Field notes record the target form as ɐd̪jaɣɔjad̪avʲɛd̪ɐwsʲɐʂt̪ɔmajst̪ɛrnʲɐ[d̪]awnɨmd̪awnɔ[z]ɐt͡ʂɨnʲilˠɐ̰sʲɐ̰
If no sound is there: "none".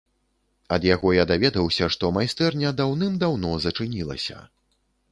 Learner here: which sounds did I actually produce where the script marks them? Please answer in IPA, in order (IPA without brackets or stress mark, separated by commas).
d̪, z